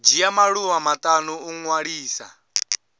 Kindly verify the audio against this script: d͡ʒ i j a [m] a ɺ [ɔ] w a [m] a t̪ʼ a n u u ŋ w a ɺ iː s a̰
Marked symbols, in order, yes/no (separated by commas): yes, no, yes